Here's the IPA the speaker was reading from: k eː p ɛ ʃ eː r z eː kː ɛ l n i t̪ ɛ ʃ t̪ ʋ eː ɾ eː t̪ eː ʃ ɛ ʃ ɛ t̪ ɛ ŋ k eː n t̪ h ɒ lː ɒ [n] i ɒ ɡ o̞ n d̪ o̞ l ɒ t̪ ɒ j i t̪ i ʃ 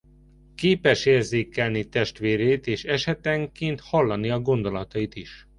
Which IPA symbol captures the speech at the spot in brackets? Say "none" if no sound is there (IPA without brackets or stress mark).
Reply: n